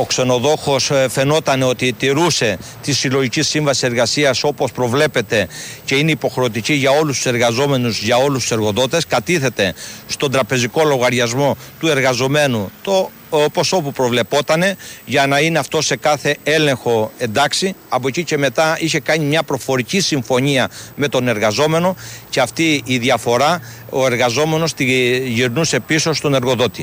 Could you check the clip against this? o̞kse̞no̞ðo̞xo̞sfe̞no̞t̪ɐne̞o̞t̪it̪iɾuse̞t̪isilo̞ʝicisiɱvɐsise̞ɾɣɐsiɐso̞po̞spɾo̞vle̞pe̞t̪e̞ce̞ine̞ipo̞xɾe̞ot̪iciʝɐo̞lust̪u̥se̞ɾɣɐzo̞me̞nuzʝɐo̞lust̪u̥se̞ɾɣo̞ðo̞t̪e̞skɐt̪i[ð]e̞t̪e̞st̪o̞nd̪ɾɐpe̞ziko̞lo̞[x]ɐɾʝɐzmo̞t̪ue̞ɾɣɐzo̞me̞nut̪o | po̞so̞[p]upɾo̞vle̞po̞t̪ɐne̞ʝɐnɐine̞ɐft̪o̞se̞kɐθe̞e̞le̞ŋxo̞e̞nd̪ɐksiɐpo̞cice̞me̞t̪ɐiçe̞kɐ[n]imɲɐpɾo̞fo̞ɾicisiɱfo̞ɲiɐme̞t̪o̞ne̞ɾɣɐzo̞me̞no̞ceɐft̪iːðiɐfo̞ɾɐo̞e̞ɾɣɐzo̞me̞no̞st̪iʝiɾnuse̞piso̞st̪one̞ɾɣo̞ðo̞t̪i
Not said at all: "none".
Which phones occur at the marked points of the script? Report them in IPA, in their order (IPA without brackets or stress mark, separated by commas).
θ, ɣ, p, ɲ